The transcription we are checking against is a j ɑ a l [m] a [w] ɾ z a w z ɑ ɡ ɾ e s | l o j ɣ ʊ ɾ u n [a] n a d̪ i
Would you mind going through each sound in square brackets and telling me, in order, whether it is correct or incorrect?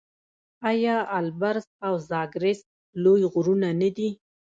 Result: incorrect, incorrect, correct

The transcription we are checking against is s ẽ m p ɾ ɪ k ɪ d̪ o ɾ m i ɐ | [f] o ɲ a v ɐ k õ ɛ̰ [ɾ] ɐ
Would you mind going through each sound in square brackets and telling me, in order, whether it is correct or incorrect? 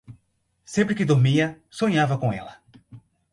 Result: incorrect, incorrect

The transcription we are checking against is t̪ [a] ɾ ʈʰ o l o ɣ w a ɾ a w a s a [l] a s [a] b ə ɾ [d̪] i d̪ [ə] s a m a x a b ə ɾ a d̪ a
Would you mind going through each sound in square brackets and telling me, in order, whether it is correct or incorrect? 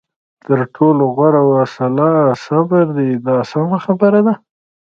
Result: incorrect, correct, correct, correct, incorrect

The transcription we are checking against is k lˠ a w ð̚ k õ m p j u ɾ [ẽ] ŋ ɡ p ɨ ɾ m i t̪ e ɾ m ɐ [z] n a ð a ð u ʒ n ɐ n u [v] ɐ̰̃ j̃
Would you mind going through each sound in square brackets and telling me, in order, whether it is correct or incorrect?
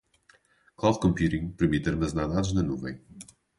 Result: incorrect, correct, correct

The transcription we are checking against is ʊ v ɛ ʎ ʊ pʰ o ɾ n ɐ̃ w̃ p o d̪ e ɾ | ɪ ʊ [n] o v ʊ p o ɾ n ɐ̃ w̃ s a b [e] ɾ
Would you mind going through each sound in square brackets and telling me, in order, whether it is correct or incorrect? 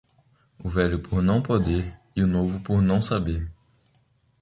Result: correct, correct

